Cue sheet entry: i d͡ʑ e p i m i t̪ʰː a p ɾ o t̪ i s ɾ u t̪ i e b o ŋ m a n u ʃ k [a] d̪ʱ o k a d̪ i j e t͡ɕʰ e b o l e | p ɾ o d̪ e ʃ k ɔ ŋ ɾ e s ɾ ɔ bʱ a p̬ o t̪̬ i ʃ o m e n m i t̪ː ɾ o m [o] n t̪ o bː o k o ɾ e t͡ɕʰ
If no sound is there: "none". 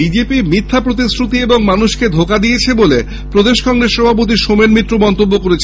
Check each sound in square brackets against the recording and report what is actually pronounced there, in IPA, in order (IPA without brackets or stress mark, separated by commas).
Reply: e, ɔ